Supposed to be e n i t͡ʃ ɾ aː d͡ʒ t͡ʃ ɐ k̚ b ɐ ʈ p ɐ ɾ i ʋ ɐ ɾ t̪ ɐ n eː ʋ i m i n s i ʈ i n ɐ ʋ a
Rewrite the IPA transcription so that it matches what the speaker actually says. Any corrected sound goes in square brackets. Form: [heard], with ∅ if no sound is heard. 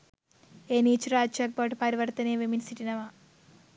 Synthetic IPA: e n i t͡ʃ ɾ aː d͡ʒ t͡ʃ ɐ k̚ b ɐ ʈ p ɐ ɾ i ʋ ɐ ɾ t̪ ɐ n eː ʋ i m i n s i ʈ i n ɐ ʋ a